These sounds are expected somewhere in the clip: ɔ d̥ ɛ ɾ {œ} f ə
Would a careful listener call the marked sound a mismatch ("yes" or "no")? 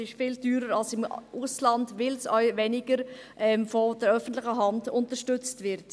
no